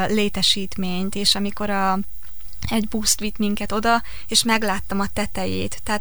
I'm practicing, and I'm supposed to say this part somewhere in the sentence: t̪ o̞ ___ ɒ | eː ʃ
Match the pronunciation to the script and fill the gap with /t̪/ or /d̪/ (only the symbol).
d̪